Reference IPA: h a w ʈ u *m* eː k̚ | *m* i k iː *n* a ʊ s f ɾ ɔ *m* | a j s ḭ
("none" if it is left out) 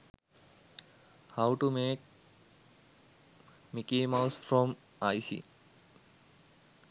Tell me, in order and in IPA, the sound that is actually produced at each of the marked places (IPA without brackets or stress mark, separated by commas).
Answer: m, m, m, m